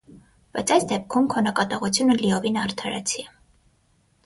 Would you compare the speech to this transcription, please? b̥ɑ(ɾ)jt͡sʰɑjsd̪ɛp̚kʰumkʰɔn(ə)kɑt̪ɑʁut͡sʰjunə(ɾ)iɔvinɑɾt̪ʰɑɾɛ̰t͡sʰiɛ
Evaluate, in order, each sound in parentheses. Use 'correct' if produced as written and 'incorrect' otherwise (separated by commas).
incorrect, incorrect, incorrect